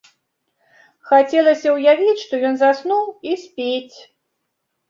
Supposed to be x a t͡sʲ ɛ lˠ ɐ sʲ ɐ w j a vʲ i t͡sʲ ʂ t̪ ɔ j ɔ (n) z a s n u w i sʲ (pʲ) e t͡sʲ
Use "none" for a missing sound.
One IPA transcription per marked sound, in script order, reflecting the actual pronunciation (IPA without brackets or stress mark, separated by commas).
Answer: n, pʲ